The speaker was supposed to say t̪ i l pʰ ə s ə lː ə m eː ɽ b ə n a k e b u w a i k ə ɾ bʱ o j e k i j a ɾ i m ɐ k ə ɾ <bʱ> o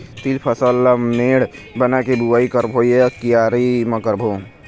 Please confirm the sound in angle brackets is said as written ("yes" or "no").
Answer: yes